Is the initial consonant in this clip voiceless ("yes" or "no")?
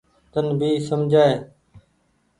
yes